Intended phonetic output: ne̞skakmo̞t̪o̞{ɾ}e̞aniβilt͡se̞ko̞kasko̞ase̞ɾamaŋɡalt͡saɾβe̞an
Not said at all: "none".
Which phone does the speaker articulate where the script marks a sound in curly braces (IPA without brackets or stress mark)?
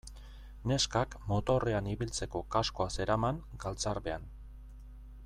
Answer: r